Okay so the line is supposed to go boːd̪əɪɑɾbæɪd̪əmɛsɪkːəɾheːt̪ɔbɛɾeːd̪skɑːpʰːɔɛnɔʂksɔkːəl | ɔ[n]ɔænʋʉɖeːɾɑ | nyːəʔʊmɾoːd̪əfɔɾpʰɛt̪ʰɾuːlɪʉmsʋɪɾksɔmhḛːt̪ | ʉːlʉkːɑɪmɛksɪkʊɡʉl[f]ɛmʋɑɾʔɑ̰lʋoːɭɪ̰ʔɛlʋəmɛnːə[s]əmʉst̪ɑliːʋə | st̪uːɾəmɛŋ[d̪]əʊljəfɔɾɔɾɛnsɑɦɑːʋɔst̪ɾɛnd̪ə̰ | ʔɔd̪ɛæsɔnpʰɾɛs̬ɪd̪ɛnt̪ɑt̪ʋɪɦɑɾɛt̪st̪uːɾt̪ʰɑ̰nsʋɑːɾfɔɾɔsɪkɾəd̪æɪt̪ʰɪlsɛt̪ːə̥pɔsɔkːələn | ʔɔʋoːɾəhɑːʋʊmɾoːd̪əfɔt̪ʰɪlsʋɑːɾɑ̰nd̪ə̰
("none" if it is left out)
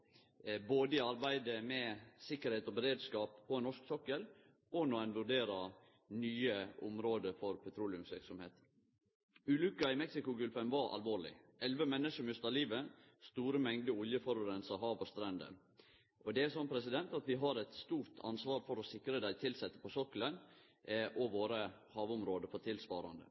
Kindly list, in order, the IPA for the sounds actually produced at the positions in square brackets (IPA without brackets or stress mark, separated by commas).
n, f, ʂ, d̪